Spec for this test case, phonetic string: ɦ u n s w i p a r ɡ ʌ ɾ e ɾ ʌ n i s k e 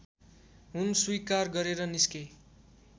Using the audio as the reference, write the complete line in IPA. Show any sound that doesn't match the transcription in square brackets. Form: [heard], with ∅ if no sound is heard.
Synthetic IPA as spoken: ɦ u n s w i [k] a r ɡ ʌ ɾ e ɾ ʌ n i s k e

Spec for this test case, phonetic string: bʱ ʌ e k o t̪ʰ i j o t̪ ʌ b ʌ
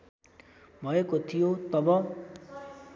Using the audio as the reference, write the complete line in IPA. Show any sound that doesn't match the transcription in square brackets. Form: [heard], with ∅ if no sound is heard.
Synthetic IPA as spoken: bʱ ʌ e k o t̪ʰ i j o t̪ ʌ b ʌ

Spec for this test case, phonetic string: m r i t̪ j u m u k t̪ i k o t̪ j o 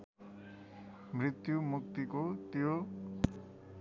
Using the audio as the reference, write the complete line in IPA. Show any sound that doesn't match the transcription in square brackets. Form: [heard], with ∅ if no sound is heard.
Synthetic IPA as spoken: m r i t̪ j u m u k t̪ i k o t̪ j o

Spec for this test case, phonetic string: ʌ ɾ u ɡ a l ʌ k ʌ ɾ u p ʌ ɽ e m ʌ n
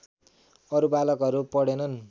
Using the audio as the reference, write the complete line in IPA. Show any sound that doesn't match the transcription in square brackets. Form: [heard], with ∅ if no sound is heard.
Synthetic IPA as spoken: ʌ ɾ u [b] a l ʌ k ʌ ɾ u p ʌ ɽ e [n] ʌ n

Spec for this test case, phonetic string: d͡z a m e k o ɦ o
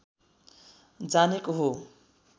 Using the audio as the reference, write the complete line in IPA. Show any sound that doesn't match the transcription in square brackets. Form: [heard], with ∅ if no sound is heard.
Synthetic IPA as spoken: d͡z a [n] e k o ɦ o

